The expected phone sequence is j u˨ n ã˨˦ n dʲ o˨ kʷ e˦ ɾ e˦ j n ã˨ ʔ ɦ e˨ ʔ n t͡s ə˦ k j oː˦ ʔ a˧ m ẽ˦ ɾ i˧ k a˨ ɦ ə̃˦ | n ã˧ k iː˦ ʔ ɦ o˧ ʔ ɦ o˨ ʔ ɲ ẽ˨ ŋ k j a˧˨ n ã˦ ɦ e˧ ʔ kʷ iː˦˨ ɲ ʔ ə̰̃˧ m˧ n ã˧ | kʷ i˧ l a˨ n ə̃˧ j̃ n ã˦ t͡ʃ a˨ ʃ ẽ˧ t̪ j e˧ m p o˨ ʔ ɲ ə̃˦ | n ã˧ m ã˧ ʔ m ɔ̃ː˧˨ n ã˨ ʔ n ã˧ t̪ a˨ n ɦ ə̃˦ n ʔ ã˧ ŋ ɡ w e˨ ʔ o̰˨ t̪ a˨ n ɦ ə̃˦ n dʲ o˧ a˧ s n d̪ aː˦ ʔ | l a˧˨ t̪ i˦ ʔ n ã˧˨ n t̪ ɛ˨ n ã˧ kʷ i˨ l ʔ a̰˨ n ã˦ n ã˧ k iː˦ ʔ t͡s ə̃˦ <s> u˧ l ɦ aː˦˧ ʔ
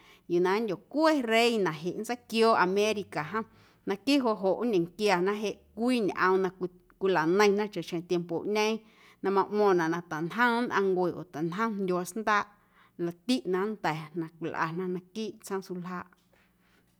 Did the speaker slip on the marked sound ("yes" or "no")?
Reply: no